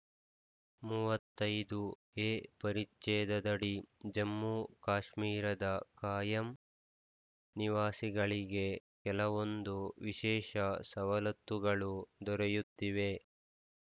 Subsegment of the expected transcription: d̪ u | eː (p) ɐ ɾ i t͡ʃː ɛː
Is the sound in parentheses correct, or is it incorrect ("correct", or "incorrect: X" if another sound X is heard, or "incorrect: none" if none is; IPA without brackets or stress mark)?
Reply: correct